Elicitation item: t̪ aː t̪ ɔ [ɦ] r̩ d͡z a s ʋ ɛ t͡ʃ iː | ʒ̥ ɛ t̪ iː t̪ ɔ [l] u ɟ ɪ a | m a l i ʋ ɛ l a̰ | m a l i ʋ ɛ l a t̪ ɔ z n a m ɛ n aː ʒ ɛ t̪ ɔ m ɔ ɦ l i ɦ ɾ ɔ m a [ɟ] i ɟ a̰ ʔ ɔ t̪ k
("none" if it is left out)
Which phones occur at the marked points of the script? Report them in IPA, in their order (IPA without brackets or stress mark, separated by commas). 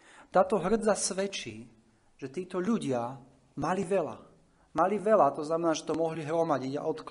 ɦ, ʎ, ɟ